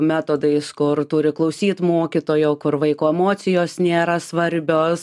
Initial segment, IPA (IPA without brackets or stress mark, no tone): mʲ